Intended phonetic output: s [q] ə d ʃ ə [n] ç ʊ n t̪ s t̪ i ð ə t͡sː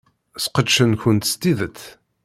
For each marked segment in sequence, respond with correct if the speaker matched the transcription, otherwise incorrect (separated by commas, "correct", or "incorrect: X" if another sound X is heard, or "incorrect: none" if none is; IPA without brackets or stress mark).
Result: correct, correct